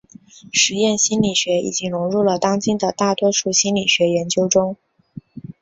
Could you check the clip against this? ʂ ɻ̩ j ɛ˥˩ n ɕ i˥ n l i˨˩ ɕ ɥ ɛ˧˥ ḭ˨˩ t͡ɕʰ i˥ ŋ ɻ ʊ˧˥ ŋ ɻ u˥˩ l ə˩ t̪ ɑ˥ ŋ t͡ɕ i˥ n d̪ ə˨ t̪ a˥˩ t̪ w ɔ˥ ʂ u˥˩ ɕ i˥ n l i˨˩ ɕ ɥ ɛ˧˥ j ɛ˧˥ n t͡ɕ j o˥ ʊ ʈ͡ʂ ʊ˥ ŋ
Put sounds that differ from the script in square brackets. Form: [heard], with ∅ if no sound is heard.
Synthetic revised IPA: ʂ ɻ̩ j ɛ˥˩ n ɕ i˥ n l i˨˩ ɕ ɥ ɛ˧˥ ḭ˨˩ [t͡ɕ] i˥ ŋ ɻ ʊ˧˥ ŋ ɻ u˥˩ l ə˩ t̪ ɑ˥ ŋ t͡ɕ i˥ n d̪ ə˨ t̪ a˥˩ t̪ w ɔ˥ ʂ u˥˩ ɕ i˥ n l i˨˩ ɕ ɥ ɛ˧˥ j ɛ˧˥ n t͡ɕ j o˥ ʊ ʈ͡ʂ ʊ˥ ŋ